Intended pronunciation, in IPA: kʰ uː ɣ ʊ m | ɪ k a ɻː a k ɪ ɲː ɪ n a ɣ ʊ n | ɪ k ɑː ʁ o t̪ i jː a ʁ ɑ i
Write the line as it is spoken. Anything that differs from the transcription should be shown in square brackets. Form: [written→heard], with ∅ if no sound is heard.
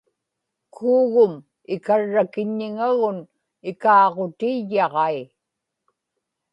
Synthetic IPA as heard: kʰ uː ɣ ʊ m | ɪ k a ɻː a k ɪ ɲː ɪ [n→ŋ] a ɣ ʊ n | ɪ k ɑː ʁ o t̪ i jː [a→ɑ] ʁ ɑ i